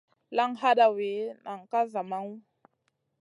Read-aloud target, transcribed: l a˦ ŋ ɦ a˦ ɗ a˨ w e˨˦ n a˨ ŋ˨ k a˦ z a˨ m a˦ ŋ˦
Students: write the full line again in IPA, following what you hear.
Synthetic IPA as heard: l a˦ ŋ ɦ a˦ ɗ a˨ w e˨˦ n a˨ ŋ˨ k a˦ z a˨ m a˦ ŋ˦

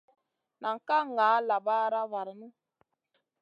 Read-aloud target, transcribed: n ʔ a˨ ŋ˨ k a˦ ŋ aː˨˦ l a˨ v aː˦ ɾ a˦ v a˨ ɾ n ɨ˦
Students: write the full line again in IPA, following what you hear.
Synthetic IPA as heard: n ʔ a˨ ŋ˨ k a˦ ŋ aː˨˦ l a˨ b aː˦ ɾ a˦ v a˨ ɾ n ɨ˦

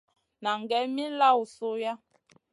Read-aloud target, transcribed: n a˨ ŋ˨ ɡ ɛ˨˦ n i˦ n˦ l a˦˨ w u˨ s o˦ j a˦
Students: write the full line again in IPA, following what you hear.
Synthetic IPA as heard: n a˨ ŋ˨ ɡ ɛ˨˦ m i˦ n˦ l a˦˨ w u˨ s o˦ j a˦

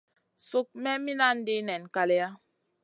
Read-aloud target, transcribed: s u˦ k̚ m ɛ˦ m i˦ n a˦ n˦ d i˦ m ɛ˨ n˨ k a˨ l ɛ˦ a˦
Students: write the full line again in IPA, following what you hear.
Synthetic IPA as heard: s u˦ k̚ m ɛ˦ m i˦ n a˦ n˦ d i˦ n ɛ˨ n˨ k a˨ l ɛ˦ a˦

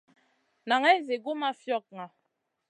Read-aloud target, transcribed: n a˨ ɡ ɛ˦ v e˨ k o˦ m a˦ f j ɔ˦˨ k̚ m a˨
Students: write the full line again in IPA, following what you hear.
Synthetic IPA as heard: n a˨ ŋ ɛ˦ z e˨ ɡ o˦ m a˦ f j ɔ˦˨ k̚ ŋ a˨

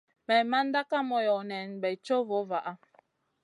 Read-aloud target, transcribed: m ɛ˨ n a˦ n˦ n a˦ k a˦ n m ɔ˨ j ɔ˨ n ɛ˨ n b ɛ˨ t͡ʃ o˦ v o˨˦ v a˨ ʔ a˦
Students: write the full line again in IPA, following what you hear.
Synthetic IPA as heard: m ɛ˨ m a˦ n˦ d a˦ k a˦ m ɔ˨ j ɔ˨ n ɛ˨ n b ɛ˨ t͡ʃ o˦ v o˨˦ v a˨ ʔ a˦

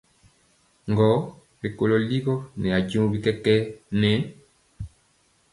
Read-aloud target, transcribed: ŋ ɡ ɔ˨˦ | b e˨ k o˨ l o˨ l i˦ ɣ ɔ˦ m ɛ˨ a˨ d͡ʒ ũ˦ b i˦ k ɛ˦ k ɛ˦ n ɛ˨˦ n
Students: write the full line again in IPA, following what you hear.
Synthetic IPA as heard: ŋ ɡ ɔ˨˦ | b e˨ k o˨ l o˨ l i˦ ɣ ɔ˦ n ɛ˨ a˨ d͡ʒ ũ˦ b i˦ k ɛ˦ k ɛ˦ n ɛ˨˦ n

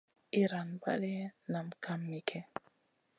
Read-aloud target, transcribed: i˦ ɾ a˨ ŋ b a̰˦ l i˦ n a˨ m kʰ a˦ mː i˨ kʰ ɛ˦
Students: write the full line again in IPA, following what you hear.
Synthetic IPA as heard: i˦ ɾ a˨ n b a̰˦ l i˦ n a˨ m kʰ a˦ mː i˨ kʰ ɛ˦

